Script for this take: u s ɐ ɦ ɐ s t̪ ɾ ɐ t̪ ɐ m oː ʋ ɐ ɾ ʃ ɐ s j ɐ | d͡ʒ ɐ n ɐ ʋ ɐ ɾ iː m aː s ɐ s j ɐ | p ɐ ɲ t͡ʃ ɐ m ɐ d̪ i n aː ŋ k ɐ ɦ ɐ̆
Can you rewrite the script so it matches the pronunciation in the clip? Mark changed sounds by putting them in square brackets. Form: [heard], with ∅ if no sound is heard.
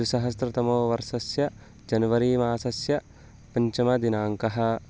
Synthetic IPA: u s ɐ ɦ ɐ s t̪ ɾ ɐ t̪ ɐ m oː ʋ ɐ ɾ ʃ ɐ s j ɐ | d͡ʒ ɐ n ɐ ʋ ɐ ɾ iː m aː s ɐ s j ɐ | p ɐ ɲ t͡ʃ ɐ m ɐ d̪ i n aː ŋ k ɐ ɦ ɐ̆